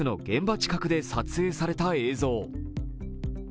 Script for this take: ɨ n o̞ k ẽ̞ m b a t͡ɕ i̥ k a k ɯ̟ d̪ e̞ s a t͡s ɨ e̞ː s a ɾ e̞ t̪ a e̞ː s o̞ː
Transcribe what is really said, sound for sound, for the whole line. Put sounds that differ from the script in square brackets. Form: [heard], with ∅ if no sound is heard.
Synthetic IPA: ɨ n o̞ [ɡ] ẽ̞ m b a t͡ɕ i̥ k a k ɯ̟ d̪ e̞ s a t͡s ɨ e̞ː s a ɾ e̞ t̪ a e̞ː [z] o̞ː